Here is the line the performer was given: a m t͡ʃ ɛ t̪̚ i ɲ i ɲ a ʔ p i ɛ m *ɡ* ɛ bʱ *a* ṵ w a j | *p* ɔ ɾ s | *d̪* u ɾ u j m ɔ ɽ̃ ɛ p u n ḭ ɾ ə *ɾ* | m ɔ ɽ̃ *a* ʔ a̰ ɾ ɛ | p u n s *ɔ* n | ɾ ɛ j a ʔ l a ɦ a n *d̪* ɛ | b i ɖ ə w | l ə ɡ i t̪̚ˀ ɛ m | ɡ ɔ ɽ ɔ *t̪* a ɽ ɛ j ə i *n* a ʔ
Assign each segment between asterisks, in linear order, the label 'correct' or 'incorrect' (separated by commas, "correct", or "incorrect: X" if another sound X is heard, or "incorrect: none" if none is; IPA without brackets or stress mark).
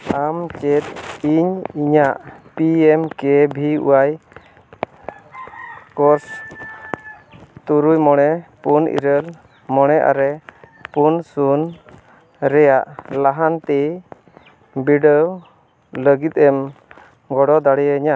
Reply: incorrect: k, incorrect: i, incorrect: k, incorrect: t̪, incorrect: l, incorrect: ɛ, incorrect: u, incorrect: t̪, incorrect: d̪, incorrect: ɲ